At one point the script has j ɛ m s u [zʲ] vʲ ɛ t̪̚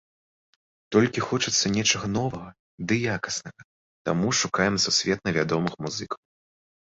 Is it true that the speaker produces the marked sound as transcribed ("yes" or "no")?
no